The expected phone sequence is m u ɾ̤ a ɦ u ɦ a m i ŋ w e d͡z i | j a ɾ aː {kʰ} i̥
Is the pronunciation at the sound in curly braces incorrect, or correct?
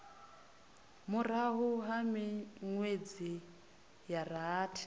incorrect